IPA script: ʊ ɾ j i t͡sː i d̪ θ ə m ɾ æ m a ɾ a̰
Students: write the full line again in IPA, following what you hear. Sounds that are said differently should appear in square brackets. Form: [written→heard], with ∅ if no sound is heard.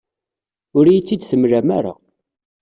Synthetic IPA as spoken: ʊ ɾ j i t͡sː i d̪ θ ə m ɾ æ m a ɾ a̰